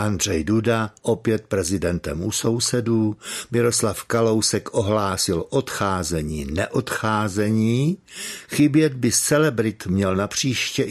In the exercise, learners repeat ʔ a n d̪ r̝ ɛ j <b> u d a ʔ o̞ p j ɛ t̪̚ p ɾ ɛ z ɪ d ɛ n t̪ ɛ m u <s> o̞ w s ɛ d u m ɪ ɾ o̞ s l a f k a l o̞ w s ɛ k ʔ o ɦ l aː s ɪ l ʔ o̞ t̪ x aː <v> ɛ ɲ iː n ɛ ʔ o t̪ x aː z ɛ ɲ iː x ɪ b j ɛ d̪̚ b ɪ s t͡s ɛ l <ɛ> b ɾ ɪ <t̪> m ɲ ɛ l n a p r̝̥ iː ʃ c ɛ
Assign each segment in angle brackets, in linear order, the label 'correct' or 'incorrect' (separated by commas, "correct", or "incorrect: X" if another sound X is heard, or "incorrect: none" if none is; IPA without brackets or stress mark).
incorrect: d, correct, incorrect: z, correct, correct